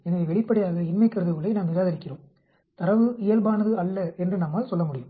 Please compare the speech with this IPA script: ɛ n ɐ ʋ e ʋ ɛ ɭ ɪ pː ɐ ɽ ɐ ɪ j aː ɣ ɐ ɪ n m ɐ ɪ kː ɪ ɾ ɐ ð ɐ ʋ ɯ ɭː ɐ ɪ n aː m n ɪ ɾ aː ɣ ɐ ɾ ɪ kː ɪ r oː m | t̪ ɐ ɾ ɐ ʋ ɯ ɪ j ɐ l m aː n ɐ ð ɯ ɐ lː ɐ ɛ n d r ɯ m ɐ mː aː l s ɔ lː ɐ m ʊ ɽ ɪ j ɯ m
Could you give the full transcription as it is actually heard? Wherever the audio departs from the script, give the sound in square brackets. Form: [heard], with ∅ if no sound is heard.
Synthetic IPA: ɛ n ɐ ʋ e ʋ ɛ ɭ ɪ pː ɐ ɽ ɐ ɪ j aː ɣ ɐ ɪ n m ɐ ɪ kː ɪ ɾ ɐ ð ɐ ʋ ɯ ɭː ɐ ɪ n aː m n ɪ ɾ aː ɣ ɐ ɾ ɪ kː ɪ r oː m | t̪ ɐ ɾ ɐ ʋ ɯ ɪ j ɐ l [b] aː n ɐ ð ɯ ɐ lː ɐ ɛ n d r ɯ [n] ɐ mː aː l s ɔ lː ɐ m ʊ ɽ ɪ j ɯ m